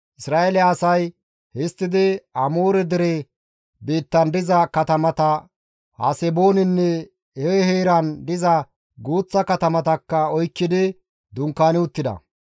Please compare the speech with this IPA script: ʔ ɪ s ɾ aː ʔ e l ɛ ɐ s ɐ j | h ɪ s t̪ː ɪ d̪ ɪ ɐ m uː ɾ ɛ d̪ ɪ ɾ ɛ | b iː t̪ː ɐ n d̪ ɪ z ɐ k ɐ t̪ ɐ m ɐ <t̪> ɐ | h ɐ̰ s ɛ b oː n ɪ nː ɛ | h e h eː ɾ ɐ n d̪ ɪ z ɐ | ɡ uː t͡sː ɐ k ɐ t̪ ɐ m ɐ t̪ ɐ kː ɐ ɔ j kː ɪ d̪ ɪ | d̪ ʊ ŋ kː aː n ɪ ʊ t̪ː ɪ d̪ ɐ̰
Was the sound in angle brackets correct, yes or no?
yes